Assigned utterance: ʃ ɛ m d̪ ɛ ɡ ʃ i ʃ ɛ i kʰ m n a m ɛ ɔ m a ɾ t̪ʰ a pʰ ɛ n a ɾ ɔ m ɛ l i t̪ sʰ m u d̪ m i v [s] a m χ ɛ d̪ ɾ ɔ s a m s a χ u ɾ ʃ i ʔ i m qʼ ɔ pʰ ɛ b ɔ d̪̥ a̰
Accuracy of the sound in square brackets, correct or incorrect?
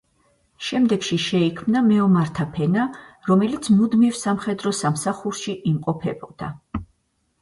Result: correct